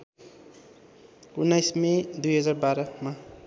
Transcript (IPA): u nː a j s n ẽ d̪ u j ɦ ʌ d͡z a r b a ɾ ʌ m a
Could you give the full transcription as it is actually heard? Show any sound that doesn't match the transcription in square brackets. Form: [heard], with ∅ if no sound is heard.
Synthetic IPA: u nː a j s [m] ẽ d̪ u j ɦ ʌ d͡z a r b a ɾ ʌ m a